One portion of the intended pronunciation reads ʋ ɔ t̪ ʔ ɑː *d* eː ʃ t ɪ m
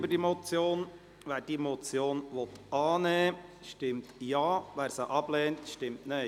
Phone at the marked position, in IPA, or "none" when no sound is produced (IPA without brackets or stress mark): n